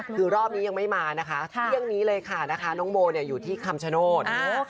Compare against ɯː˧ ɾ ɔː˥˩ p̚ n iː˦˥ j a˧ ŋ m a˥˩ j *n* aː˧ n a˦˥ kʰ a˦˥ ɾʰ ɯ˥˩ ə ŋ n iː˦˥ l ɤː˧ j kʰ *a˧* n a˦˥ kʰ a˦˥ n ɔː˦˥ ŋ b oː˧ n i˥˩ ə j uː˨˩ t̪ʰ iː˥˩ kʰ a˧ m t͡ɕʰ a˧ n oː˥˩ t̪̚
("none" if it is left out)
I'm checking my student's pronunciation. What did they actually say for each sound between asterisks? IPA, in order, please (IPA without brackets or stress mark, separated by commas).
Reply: m, a˥˩